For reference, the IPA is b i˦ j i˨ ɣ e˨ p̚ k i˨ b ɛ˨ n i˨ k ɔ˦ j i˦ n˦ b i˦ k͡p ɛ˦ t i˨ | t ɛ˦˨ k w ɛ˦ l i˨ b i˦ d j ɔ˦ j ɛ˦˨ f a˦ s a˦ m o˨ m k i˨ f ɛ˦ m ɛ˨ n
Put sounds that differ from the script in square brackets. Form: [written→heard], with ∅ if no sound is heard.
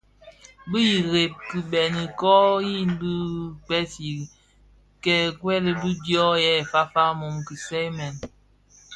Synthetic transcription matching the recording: b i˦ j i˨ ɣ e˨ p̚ k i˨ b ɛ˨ n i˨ k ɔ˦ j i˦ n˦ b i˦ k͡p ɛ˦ [t→s] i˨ | [t→k] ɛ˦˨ k w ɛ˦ l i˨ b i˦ d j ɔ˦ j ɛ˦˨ f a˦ [s→f] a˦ m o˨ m k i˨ [f→s] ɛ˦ m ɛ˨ n